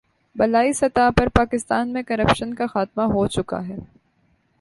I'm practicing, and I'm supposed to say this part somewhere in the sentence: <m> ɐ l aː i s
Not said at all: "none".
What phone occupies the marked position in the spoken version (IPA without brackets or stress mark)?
b